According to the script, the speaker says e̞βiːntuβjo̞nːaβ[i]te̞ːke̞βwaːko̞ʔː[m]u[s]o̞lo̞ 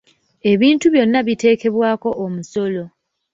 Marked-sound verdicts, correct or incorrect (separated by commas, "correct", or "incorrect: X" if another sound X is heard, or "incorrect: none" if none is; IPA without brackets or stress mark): correct, correct, correct